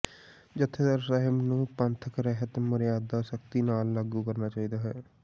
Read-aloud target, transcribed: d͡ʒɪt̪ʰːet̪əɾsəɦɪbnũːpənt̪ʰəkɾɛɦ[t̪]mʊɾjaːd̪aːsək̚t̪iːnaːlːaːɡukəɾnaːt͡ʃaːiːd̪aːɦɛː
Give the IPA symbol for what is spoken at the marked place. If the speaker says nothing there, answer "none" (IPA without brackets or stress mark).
t̪